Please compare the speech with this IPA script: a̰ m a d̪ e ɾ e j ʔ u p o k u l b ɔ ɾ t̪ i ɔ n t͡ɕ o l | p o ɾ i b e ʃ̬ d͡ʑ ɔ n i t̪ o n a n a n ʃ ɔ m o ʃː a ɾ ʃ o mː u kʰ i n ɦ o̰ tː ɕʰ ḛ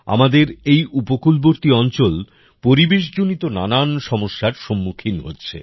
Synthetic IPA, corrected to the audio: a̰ m a d̪ e ɾ e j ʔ u p o k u l b o ɾ t̪ i ɔ n t͡ɕ o l | p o ɾ i b e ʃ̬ d͡ʑ o n i t̪ o n a n a n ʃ ɔ m o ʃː a ɾ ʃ o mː u kʰ i n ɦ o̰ tː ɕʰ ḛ